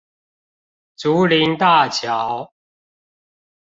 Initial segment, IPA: t͡s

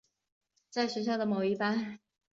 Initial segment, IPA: t͡s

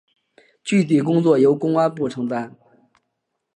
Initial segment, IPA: t͡ɕ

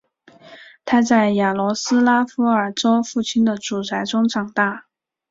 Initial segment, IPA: t̪ʰ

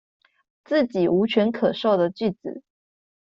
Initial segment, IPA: t͡s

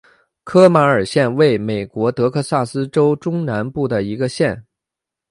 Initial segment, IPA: kʰ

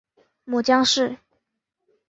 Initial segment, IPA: m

